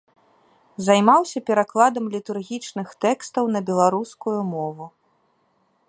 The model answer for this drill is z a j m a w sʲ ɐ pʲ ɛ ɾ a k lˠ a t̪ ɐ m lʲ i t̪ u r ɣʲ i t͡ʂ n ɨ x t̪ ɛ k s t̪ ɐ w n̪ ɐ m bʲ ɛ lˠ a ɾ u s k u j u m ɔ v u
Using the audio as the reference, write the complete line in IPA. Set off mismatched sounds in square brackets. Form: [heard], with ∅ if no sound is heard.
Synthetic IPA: z a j m a w sʲ ɐ pʲ ɛ ɾ a k lˠ a [d̪] ɐ m lʲ i t̪ u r ɣʲ i t͡ʂ n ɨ x t̪ ɛ k s t̪ ɐ w n̪ ɐ [∅] bʲ ɛ lˠ a ɾ u s k u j u m ɔ v u